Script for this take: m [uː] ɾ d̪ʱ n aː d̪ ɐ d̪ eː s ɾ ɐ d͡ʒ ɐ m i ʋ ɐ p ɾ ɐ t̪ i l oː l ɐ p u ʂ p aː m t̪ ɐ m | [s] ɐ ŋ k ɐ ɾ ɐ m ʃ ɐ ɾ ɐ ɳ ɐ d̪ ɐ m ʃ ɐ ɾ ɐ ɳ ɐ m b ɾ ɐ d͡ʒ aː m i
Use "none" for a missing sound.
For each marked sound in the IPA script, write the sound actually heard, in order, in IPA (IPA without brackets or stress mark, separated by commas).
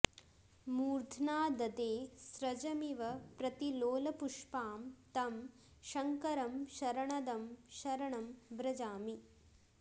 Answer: uː, ʃ